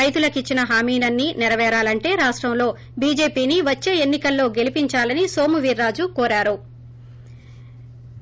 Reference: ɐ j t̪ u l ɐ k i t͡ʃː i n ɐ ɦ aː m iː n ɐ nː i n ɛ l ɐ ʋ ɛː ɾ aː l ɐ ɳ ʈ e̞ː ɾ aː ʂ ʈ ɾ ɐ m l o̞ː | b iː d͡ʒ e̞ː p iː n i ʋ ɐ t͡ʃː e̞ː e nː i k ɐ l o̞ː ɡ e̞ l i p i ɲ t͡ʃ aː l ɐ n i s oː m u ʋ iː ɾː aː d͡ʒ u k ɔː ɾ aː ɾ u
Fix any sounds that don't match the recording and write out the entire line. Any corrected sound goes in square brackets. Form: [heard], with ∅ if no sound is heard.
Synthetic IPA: ɐ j t̪ u l ɐ k i t͡ʃː i n ɐ ɦ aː m iː n ɐ nː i n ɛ [ɾ] ɐ ʋ ɛː ɾ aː l ɐ ɳ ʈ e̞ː ɾ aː ʂ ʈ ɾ ɐ m l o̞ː | b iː d͡ʒ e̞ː p iː n i ʋ ɐ t͡ʃː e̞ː e nː i k ɐ [lː] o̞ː ɡ e̞ l i p i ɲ t͡ʃ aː l ɐ n i s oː m u ʋ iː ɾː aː d͡ʒ u k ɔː ɾ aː ɾ u